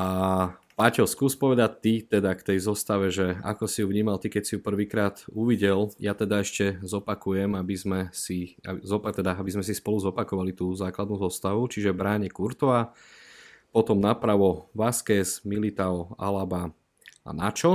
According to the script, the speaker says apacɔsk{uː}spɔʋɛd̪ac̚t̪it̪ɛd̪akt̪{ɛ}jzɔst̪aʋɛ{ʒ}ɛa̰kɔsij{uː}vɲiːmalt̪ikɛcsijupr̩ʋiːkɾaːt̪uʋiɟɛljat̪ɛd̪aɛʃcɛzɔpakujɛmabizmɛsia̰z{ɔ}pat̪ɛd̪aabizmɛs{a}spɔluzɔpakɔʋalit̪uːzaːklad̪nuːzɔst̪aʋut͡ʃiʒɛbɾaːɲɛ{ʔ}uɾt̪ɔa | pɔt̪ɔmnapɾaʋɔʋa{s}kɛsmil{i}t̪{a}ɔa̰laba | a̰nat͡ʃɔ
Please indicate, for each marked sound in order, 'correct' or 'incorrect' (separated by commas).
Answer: correct, correct, correct, incorrect, correct, incorrect, incorrect, correct, correct, correct